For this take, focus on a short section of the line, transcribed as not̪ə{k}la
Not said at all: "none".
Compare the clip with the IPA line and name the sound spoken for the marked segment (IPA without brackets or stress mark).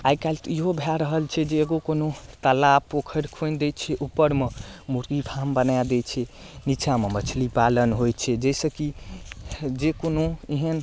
none